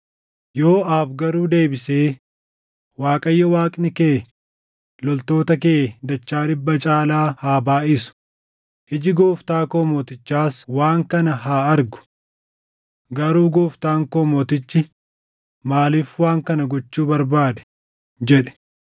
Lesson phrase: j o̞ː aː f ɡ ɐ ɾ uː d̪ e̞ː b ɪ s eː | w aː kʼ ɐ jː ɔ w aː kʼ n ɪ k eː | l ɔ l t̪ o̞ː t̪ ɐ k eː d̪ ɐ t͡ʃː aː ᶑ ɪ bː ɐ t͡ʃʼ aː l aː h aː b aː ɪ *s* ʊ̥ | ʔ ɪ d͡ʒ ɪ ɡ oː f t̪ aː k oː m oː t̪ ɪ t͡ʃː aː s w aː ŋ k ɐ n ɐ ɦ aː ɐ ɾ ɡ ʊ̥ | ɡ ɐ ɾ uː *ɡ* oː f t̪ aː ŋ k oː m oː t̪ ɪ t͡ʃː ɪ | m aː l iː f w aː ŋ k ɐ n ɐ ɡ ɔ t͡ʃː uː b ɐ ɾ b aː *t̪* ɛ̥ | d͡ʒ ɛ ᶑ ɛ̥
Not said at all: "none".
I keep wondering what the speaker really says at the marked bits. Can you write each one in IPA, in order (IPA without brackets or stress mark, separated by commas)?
s, ɡ, d̪